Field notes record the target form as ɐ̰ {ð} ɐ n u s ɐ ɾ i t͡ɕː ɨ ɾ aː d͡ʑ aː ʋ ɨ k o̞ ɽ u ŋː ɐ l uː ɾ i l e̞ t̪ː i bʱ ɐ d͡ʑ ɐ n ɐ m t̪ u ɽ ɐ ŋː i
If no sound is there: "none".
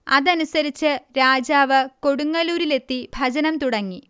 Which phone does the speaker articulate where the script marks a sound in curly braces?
ð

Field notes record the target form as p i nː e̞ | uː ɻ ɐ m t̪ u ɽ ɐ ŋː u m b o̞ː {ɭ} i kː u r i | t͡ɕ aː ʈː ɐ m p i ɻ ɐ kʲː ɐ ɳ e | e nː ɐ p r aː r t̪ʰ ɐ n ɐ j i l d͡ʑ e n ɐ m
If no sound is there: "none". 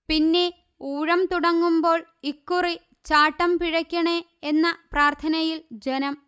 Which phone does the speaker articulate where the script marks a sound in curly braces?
ɭ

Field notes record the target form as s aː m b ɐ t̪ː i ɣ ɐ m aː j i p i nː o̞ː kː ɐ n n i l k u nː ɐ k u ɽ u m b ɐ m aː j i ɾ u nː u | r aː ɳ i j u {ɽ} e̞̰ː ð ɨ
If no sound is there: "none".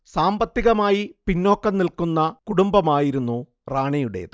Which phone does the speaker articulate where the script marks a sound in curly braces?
ɽ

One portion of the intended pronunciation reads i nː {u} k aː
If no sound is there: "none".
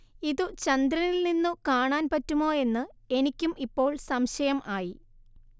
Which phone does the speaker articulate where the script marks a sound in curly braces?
u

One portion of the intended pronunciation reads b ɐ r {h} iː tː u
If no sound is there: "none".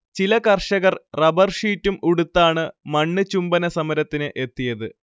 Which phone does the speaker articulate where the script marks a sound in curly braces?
ʂ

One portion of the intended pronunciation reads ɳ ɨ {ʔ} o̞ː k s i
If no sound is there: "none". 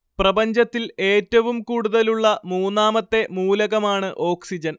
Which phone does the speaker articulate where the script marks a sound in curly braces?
ʔ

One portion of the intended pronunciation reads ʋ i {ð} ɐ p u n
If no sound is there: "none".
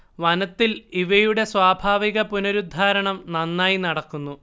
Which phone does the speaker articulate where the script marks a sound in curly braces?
ɣ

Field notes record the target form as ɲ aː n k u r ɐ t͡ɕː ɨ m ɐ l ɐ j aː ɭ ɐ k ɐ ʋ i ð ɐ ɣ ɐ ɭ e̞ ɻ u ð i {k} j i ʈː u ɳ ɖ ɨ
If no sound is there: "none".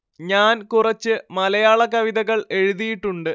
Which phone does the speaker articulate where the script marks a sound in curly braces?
none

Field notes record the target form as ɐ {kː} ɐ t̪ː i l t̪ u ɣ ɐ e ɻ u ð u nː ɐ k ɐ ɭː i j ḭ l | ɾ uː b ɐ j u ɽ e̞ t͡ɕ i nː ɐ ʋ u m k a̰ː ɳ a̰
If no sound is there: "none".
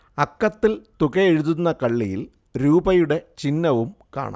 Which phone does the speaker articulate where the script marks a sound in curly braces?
kː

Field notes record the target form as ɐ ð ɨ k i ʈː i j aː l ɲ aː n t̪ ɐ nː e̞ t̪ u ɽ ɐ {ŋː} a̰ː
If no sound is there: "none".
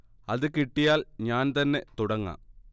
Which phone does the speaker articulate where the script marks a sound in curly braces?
ŋː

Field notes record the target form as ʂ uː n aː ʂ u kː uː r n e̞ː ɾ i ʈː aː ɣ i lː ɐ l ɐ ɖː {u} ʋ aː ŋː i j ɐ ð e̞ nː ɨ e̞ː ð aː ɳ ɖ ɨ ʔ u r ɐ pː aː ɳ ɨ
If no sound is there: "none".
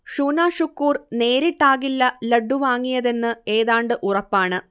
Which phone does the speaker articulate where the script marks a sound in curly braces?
u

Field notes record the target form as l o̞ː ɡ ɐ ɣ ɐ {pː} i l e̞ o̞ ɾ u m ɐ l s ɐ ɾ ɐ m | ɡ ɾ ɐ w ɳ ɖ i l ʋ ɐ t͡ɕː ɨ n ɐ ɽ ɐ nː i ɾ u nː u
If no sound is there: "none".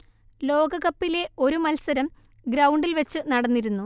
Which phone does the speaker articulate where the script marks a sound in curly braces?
pː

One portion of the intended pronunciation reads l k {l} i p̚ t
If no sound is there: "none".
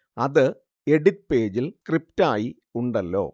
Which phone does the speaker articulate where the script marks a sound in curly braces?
r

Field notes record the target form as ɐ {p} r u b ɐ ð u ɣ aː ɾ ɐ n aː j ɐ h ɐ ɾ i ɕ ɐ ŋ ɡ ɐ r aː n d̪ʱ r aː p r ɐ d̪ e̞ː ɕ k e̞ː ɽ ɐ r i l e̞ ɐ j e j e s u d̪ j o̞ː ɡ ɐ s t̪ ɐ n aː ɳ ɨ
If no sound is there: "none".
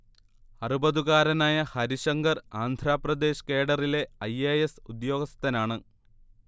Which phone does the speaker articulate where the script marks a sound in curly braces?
none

